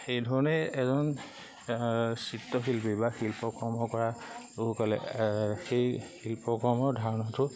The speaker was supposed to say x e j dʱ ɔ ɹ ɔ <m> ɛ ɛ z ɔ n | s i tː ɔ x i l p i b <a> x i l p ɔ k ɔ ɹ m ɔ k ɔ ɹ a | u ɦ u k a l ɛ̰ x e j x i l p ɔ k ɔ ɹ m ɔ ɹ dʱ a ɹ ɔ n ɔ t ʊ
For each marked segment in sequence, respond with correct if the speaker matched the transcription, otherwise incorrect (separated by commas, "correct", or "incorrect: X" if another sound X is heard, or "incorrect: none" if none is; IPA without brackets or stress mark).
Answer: incorrect: n, correct